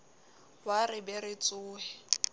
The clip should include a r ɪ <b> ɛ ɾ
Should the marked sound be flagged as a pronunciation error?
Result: no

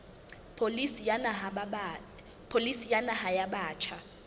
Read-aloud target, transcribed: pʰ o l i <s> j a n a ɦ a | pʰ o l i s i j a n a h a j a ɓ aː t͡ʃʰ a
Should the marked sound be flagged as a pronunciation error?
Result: no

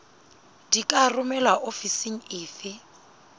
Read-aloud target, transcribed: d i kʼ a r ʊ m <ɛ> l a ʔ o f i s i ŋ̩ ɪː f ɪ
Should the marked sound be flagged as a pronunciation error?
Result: no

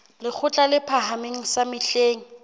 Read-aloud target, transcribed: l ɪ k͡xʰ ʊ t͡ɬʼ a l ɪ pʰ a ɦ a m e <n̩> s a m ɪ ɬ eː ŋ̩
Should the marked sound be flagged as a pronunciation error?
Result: yes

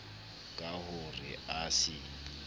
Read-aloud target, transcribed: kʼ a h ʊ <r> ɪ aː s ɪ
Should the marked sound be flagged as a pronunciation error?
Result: no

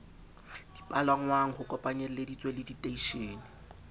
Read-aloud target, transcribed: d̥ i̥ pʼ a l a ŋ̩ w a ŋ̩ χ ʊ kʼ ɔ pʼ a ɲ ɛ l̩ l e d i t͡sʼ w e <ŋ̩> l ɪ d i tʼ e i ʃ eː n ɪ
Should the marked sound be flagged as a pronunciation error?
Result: yes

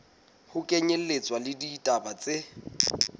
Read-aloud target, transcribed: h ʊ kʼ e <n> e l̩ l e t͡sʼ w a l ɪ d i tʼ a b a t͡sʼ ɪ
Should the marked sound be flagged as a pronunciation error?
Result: yes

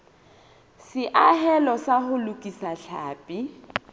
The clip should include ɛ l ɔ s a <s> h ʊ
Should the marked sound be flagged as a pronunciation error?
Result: yes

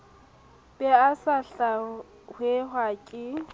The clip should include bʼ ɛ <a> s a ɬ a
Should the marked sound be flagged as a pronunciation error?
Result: no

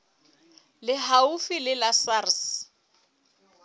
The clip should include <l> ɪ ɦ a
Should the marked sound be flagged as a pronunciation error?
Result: no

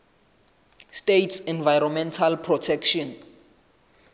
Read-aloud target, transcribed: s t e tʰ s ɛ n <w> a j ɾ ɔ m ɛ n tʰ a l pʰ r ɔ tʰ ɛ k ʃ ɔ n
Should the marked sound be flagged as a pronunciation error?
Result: yes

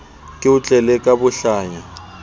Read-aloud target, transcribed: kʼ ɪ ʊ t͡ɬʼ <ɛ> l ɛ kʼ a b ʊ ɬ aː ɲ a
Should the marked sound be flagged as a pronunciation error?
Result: no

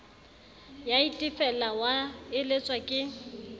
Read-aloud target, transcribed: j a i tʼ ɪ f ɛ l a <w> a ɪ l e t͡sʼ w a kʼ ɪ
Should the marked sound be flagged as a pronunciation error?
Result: no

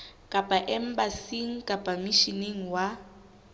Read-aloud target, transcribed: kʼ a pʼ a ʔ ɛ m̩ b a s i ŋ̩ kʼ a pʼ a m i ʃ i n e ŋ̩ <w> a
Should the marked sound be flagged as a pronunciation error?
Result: no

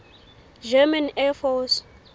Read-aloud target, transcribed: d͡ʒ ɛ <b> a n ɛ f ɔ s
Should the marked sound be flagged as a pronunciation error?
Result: yes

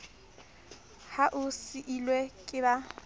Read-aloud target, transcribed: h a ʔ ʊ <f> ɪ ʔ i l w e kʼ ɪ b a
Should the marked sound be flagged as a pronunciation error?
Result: yes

